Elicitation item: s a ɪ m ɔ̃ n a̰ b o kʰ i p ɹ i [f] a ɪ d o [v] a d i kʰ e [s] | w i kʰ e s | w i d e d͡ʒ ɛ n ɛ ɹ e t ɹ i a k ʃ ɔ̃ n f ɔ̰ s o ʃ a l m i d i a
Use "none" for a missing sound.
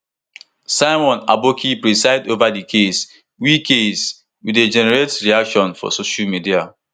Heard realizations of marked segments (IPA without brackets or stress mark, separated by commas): s, v, s